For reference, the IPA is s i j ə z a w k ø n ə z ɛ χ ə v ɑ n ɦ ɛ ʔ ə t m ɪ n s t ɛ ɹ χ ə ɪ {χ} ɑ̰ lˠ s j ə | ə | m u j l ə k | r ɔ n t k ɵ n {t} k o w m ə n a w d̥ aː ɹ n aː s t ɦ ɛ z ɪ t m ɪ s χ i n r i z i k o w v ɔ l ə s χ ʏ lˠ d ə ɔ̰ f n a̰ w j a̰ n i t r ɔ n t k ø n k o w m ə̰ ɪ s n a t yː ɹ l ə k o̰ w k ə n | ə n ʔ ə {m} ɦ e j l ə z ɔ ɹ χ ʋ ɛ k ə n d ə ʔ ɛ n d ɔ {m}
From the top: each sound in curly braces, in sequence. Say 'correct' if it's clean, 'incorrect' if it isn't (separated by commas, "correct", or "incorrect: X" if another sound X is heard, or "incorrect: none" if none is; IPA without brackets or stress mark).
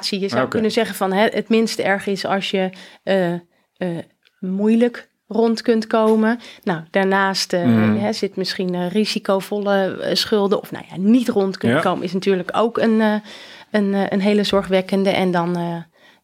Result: incorrect: s, correct, incorrect: n, incorrect: n